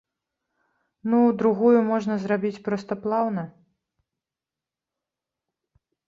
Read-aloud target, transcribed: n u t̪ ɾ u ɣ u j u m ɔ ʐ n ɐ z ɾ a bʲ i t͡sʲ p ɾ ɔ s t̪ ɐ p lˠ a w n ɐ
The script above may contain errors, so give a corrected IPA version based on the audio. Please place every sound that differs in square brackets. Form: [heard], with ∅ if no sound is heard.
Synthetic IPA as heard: n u [d̪] ɾ u ɣ u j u m ɔ ʐ n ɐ z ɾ a bʲ i t͡sʲ p ɾ ɔ s t̪ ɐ p lˠ a w n ɐ